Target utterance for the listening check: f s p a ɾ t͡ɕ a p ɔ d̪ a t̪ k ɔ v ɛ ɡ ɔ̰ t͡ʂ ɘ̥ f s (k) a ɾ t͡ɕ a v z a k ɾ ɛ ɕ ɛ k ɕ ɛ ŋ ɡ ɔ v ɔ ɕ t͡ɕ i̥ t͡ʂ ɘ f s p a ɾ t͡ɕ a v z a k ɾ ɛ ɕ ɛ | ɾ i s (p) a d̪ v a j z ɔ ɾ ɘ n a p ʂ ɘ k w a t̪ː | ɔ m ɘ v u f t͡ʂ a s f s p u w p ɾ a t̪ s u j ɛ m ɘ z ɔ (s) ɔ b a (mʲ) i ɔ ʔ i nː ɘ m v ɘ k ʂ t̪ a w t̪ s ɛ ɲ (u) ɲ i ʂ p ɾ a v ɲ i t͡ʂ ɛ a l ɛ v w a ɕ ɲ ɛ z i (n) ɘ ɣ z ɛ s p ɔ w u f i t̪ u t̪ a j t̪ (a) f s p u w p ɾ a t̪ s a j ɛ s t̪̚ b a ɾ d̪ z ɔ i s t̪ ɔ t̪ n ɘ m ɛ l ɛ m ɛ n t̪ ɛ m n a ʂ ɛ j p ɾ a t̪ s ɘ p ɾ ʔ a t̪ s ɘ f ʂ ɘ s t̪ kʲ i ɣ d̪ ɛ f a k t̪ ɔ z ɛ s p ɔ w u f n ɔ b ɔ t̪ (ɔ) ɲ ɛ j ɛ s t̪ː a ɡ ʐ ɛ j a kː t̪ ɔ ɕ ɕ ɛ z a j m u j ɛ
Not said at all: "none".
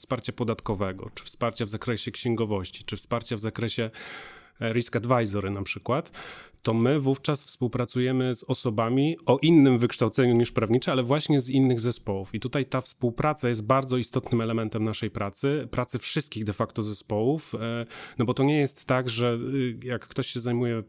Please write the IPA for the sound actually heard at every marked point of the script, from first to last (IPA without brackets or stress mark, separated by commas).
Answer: p, k, s, mʲ, u, nː, a, ɔ